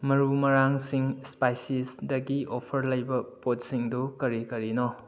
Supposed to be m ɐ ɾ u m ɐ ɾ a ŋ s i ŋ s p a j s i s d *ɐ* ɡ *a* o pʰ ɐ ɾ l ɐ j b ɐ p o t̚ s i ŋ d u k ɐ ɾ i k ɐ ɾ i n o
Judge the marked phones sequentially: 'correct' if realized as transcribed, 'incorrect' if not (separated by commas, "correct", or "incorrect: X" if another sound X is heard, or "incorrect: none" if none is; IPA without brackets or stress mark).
correct, incorrect: i